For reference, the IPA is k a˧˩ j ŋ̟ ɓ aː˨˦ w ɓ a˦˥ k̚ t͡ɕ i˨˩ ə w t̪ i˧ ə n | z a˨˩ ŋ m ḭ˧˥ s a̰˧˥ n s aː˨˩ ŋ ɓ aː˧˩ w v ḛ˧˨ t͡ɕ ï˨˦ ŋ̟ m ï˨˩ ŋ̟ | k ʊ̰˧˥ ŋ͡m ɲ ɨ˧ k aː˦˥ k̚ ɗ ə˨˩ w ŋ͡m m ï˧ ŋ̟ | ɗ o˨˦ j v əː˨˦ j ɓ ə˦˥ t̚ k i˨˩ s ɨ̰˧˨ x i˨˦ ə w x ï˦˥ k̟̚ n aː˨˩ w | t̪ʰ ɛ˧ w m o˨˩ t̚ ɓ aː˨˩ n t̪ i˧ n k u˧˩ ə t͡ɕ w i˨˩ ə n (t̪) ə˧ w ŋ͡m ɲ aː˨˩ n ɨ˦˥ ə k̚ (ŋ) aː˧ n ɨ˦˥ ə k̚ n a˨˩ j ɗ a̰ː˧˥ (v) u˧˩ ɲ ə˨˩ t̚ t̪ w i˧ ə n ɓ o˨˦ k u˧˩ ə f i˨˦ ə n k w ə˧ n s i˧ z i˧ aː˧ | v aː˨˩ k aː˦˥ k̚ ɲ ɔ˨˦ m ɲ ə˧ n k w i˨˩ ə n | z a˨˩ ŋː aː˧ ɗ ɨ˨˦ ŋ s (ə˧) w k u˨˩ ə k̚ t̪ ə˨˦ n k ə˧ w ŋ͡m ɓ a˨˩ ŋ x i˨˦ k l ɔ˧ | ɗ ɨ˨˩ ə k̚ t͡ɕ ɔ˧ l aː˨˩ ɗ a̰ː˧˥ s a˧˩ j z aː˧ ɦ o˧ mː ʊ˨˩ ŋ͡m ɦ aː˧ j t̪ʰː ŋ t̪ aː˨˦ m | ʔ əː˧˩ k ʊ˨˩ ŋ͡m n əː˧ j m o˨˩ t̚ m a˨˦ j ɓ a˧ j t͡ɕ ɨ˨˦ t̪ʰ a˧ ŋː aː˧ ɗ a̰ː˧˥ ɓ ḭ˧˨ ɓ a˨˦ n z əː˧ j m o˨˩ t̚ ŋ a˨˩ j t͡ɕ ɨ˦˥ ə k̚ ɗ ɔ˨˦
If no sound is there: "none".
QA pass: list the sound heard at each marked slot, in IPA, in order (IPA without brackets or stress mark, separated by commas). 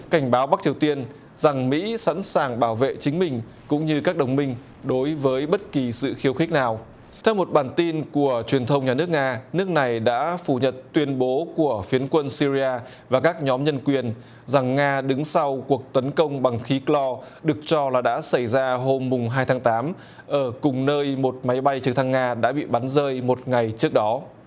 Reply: t̪ʰ, ŋ, f, a˧